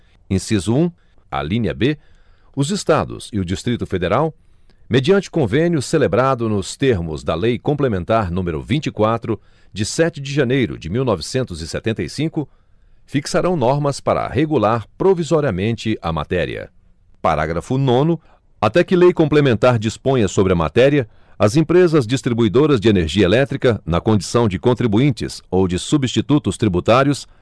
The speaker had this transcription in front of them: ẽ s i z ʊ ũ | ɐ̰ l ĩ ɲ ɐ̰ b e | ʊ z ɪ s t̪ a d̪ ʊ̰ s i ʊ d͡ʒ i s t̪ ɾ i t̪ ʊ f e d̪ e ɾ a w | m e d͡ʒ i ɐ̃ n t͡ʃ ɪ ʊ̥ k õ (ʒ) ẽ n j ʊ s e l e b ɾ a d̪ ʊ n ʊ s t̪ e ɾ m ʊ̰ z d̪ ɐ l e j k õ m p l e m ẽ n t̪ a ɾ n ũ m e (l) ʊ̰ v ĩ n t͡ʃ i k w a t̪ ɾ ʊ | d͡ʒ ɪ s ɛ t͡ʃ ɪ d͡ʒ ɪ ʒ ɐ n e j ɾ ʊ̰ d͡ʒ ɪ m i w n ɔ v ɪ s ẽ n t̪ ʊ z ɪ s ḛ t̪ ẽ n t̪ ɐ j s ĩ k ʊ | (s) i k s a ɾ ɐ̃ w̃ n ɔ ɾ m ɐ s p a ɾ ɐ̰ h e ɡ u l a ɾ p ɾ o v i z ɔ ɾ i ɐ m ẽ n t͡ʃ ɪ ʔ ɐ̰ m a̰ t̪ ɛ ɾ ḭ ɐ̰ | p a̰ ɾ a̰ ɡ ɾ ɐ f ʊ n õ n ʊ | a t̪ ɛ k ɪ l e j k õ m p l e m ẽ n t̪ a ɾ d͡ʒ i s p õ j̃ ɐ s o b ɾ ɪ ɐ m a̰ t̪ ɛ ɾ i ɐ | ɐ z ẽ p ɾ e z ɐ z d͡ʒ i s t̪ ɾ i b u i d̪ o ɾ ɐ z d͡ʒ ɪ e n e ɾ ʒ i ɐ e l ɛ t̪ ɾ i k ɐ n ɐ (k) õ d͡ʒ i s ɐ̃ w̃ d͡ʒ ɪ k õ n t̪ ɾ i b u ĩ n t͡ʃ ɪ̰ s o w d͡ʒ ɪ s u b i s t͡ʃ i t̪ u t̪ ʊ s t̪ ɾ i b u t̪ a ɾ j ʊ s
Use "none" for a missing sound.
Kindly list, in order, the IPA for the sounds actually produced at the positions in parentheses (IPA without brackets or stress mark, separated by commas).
v, ɾ, f, k